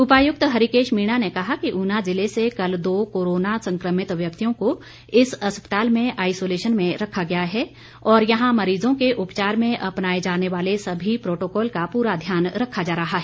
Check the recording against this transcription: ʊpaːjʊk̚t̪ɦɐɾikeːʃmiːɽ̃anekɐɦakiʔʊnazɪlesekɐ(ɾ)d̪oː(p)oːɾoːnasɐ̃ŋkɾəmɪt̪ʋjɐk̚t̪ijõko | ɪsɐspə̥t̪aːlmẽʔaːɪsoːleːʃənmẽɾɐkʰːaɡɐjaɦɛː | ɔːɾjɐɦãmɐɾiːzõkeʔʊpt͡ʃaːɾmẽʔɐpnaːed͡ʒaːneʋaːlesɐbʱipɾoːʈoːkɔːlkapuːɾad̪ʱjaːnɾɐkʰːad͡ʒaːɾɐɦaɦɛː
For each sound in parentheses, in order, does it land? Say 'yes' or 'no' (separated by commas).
no, no